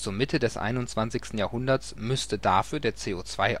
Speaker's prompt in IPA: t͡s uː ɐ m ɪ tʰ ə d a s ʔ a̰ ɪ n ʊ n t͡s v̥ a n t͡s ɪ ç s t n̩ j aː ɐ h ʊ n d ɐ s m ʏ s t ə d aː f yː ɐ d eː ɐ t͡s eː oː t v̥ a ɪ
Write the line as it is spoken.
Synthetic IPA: t͡s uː ɐ m ɪ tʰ ə d ɛ s ʔ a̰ ɪ n ʊ n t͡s v̥ a n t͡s ɪ ç s t n̩ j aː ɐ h ʊ n d ɐ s m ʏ s t ə d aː f yː ɐ d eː ɐ t͡s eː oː t͡s v̥ a ɪ